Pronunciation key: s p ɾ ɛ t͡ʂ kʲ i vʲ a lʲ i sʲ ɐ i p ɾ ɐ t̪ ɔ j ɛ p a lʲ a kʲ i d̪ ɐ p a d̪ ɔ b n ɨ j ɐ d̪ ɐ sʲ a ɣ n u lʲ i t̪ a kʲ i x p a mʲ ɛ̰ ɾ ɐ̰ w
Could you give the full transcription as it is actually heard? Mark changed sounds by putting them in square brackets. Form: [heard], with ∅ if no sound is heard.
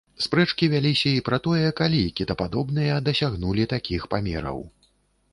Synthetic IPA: s p ɾ ɛ t͡ʂ kʲ i vʲ a lʲ i sʲ ɐ i p ɾ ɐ t̪ ɔ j ɛ [k] a lʲ [i] kʲ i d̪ ɐ p a d̪ ɔ b n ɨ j ɐ d̪ ɐ sʲ a ɣ n u lʲ i t̪ a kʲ i x p a mʲ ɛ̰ ɾ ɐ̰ w